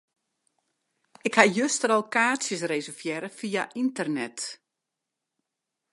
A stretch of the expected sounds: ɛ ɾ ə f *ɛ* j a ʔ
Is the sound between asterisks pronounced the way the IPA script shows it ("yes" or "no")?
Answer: no